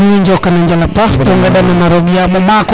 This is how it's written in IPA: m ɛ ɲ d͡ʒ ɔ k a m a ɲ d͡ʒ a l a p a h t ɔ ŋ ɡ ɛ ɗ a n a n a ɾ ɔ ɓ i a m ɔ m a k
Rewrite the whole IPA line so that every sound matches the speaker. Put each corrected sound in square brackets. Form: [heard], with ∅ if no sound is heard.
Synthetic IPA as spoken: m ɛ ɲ d͡ʒ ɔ k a [n] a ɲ d͡ʒ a l a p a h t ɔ ŋ ɡ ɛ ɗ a n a n a ɾ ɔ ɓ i a m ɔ m a k